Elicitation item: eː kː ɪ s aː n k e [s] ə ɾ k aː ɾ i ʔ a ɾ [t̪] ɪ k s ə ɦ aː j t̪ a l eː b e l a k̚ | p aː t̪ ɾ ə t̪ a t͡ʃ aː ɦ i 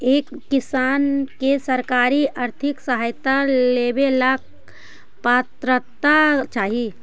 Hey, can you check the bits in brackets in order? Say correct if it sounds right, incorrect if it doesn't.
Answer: correct, incorrect: t̪ʰ

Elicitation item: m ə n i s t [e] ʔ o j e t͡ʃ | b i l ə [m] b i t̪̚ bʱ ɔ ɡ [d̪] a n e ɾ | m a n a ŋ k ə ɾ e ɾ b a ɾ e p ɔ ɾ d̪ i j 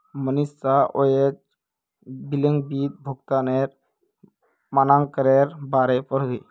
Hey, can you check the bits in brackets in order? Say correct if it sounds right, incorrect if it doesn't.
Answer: incorrect: a, incorrect: ŋ, incorrect: t̪

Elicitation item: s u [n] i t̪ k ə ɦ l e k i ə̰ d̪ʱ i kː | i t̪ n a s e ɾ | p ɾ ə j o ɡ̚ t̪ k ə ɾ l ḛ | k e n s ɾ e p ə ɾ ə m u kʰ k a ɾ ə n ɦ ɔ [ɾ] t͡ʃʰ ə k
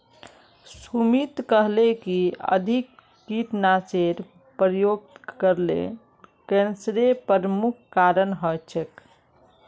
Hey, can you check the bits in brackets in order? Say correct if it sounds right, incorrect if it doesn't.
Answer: incorrect: m, incorrect: none

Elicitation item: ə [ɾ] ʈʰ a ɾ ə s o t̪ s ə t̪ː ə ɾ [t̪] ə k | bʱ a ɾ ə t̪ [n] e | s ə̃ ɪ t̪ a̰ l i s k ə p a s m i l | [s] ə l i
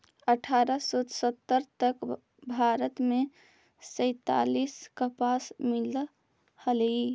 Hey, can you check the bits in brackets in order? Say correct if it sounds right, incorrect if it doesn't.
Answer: incorrect: none, correct, incorrect: m, incorrect: h

